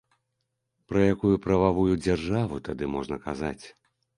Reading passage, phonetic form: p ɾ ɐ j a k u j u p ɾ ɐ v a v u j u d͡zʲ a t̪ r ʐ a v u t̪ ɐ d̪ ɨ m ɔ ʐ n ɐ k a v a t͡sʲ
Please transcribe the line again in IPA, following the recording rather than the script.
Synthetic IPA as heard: p ɾ ɐ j a k u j u p ɾ ɐ v a v u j u d͡zʲ a r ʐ a v u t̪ a d̪ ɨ m ɔ ʐ n ɐ k a z a t͡sʲ